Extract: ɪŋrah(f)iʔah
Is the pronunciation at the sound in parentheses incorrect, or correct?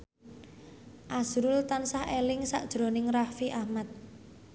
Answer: correct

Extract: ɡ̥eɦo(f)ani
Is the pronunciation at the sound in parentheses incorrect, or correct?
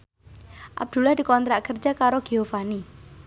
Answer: correct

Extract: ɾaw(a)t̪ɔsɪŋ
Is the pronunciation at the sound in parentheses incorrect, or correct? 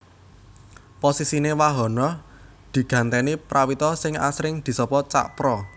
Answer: incorrect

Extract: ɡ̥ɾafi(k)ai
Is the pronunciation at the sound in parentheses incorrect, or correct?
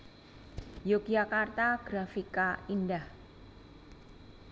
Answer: correct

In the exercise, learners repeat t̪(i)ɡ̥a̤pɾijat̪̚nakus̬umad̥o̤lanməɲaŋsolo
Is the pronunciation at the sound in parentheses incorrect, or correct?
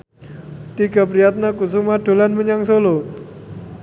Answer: correct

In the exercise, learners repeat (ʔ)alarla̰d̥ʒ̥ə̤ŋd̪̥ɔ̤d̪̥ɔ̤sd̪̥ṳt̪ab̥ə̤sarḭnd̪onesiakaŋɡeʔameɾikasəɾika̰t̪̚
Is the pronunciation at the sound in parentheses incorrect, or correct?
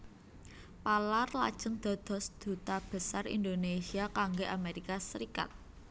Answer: incorrect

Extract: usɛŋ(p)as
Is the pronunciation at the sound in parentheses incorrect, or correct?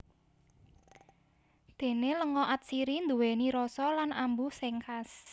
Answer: incorrect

